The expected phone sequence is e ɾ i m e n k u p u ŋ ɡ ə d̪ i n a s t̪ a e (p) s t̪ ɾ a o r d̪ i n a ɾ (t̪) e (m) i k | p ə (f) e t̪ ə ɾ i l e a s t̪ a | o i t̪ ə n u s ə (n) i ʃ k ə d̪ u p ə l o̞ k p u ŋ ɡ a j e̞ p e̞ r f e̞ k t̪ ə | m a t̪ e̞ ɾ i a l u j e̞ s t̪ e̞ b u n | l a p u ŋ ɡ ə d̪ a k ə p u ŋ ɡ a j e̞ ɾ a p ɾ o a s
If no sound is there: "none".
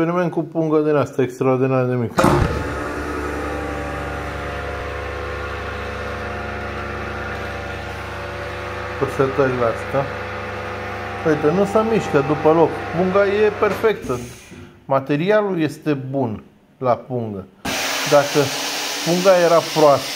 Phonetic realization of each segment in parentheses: k, d̪, m, s, m

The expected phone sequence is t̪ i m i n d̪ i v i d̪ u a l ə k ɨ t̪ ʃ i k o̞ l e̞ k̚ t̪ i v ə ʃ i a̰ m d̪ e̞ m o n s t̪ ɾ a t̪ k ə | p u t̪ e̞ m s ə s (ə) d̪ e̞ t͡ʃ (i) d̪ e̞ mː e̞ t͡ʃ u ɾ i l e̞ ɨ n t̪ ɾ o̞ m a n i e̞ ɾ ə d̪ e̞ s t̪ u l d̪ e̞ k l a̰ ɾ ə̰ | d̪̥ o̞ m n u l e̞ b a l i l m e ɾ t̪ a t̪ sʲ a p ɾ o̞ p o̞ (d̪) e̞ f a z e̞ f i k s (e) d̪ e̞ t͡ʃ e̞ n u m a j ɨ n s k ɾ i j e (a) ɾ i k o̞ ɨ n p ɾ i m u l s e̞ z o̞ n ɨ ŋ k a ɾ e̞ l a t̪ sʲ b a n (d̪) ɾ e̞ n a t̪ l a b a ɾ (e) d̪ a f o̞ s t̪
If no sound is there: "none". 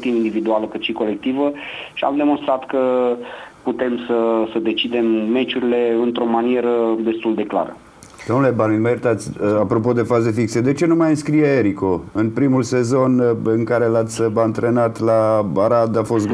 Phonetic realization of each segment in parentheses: ə, i, d̪, e, e, t̪, a

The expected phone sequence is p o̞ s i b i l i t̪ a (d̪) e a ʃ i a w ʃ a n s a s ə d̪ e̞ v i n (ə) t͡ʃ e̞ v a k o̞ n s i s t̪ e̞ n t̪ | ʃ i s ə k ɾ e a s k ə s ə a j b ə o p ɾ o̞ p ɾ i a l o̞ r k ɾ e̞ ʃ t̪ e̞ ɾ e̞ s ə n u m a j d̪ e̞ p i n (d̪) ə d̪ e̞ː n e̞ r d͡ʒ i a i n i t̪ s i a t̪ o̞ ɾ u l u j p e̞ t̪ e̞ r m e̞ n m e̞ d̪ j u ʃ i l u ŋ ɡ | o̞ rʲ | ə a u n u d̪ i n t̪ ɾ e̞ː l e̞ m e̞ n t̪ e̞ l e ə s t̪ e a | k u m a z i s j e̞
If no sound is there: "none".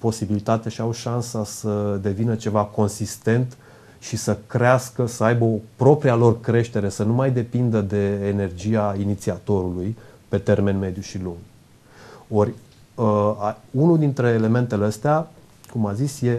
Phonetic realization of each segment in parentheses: t̪, ə, d̪

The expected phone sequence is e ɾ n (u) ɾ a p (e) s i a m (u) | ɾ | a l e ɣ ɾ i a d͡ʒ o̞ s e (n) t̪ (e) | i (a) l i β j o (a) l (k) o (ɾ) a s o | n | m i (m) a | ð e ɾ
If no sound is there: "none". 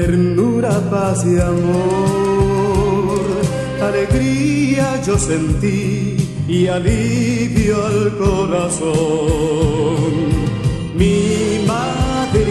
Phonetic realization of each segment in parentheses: u, a, o, n, i, a, a, k, ɾ, m

